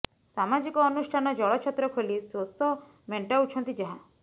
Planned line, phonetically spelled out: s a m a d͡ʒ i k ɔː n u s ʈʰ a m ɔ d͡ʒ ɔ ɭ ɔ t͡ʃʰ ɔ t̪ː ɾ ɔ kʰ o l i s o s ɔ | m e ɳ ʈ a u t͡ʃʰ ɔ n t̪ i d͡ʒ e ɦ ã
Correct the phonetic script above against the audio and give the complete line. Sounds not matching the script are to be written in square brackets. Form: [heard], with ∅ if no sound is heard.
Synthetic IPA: s a m a d͡ʒ i k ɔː n u s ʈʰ a [n] ɔ d͡ʒ ɔ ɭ ɔ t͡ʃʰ ɔ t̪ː ɾ ɔ kʰ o l i s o s ɔ | m e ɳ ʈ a u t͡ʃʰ ɔ n t̪ i d͡ʒ [a] ɦ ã